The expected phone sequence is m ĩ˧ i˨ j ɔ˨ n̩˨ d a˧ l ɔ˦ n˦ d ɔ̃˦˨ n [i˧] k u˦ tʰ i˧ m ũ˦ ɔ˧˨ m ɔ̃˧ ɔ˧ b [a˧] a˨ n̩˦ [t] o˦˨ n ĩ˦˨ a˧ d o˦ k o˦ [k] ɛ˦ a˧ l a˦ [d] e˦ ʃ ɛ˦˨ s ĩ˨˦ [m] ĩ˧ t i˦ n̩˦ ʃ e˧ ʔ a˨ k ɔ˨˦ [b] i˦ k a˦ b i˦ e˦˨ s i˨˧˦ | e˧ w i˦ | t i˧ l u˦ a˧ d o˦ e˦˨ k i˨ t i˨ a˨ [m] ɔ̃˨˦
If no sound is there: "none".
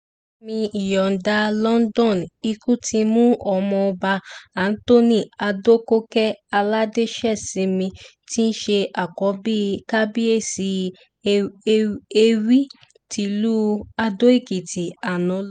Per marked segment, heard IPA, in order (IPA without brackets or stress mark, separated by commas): i˧, a˧, t, k, d, m, b, n